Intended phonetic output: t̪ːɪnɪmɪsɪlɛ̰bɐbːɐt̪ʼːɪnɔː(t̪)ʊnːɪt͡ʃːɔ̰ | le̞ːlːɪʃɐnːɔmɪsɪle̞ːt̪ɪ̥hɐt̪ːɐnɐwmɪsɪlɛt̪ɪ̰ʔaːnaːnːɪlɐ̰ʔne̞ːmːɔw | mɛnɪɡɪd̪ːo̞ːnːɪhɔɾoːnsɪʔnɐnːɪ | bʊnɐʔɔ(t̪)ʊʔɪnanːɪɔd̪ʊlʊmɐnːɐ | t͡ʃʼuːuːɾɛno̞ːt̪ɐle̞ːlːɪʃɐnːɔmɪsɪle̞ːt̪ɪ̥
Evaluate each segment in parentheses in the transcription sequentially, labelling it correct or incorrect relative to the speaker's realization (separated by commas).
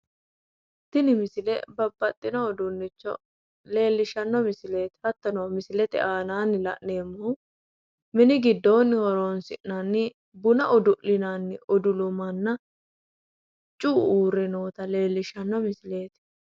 incorrect, incorrect